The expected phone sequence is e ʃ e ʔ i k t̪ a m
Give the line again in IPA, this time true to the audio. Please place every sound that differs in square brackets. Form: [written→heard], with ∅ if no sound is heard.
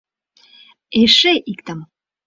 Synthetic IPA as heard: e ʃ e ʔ i k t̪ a m